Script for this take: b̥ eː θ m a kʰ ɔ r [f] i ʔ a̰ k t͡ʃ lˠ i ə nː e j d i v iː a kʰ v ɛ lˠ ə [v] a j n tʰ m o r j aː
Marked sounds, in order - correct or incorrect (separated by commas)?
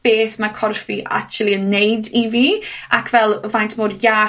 correct, correct